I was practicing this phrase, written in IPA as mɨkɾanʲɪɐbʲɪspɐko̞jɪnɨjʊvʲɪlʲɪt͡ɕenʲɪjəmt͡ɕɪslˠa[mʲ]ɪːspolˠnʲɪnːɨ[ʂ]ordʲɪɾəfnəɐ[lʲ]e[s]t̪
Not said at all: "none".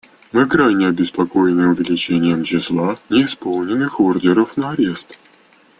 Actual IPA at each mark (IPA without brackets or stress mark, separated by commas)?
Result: nʲ, x, ɾʲ, s